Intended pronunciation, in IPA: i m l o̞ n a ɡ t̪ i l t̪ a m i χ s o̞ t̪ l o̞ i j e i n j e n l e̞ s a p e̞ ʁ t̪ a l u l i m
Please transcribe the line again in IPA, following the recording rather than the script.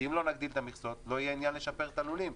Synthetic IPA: i m l o̞ n a ɡ d̪ i l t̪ a m i χ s o̞ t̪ l o̞ i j e i n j a n l e̞ ʃ a p e̞ ʁ t̪ a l u l i m